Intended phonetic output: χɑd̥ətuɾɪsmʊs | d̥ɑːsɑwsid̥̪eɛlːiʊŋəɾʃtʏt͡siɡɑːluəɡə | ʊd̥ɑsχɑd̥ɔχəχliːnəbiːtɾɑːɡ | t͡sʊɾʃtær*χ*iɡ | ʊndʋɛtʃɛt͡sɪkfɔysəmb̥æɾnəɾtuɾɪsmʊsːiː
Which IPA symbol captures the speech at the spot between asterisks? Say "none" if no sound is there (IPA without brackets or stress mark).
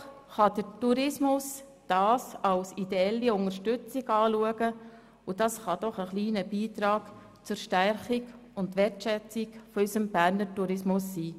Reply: χ